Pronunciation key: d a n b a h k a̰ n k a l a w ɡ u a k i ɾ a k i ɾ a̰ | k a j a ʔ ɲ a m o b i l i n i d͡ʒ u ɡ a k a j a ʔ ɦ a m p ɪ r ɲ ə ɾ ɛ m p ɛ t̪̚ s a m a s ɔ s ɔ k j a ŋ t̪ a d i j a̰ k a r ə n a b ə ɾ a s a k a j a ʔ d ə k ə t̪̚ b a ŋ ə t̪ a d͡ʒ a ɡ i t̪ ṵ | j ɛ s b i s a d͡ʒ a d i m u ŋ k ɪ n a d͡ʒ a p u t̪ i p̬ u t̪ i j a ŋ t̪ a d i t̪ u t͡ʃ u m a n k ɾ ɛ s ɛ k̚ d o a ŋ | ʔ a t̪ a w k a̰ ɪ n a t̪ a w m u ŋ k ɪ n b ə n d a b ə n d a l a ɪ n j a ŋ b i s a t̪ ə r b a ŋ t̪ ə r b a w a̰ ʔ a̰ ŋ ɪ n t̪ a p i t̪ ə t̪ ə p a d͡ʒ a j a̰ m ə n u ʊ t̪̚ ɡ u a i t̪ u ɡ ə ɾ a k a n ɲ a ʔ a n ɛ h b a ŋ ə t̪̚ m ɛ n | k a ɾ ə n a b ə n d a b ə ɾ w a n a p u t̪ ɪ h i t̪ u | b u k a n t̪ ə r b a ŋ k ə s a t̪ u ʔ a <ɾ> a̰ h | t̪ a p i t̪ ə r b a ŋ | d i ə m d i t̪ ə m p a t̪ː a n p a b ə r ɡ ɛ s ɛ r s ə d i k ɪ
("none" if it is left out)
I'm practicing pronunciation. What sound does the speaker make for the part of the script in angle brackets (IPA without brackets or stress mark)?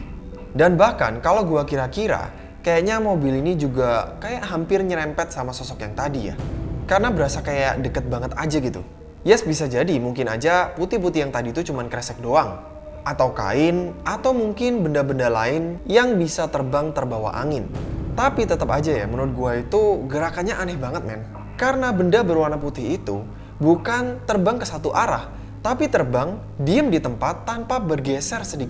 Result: ɾ